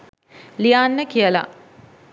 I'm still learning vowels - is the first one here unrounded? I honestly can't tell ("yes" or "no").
yes